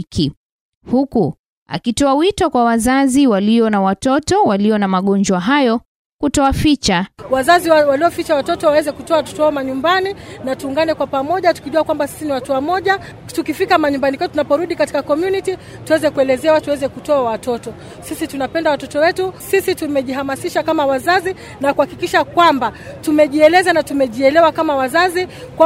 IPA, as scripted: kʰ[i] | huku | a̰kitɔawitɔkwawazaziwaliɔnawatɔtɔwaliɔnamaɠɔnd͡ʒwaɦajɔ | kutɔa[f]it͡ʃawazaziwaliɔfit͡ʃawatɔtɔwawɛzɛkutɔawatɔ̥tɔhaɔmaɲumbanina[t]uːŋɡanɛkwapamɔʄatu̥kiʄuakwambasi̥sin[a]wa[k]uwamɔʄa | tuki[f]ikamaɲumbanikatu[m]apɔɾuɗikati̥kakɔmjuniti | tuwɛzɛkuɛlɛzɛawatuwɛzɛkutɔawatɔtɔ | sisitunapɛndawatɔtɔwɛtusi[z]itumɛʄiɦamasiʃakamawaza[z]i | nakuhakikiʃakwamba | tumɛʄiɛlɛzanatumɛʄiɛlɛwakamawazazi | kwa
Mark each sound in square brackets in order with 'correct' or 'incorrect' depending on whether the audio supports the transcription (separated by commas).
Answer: correct, correct, correct, incorrect, incorrect, correct, incorrect, incorrect, correct